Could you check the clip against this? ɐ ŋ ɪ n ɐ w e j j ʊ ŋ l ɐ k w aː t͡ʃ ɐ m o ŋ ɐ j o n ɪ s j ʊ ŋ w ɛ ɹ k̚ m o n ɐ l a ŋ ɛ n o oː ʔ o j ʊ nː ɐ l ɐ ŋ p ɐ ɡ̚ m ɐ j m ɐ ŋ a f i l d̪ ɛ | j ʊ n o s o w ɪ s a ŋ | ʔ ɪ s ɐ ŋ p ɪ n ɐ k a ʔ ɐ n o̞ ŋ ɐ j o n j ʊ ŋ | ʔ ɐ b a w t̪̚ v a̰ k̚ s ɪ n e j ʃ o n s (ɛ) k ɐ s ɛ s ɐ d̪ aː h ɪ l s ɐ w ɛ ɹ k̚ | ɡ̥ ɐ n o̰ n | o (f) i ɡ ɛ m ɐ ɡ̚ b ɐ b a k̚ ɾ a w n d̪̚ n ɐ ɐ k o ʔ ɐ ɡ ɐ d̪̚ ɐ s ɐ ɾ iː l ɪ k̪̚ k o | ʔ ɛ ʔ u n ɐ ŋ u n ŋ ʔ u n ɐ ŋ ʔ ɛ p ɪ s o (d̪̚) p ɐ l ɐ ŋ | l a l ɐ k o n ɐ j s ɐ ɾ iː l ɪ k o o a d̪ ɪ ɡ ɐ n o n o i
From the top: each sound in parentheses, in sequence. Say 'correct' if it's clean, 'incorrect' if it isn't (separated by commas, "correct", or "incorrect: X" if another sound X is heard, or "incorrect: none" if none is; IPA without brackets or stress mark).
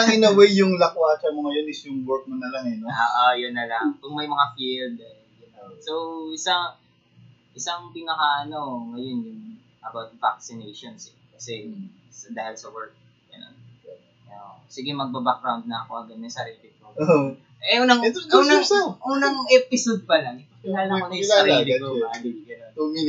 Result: correct, incorrect: s, correct